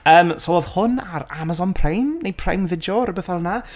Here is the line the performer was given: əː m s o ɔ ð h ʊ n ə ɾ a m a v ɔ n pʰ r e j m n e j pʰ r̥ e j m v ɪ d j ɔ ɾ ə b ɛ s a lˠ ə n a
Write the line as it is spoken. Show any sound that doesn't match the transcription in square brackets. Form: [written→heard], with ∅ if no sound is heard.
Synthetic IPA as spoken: əː m s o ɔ ð h ʊ n [ə→a] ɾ a m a [v→z] ɔ n pʰ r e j m n e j pʰ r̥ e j m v ɪ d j ɔ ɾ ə b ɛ [s→θ] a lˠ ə n a